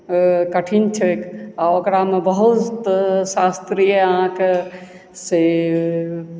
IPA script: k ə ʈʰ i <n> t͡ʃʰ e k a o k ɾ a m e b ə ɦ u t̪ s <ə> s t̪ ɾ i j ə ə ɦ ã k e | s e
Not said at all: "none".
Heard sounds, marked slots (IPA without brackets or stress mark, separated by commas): n, a